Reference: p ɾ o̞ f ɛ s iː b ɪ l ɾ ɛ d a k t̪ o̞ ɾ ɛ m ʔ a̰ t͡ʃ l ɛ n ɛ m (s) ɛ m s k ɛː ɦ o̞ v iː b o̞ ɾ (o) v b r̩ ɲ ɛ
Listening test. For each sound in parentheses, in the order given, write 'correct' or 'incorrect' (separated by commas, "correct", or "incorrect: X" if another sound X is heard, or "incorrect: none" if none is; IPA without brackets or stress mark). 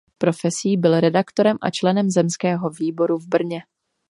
incorrect: z, incorrect: u